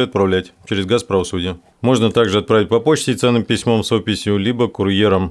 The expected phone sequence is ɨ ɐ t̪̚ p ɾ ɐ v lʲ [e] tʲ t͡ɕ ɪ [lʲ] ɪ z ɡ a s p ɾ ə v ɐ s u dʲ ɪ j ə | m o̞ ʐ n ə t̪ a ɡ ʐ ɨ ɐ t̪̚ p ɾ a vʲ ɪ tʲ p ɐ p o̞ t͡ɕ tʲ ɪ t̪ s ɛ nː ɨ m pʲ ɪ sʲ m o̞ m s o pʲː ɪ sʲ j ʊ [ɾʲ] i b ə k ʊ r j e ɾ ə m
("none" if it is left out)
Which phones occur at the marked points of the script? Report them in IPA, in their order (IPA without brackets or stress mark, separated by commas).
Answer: æ, ɾʲ, lʲ